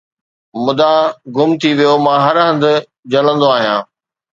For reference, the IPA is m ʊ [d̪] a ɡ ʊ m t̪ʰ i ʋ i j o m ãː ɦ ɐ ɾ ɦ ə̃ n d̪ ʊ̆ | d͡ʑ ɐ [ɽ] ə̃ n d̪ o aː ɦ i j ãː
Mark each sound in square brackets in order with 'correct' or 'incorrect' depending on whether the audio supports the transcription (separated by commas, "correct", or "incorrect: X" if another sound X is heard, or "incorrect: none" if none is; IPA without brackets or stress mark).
correct, incorrect: l